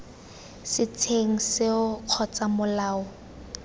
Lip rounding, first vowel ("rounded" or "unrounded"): unrounded